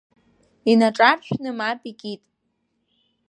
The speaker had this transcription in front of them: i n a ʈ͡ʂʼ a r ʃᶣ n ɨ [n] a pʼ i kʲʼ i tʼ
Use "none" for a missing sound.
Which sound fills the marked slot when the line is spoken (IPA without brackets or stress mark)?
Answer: m